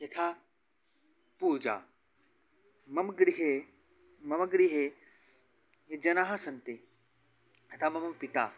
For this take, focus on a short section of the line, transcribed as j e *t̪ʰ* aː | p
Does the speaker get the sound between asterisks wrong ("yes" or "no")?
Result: no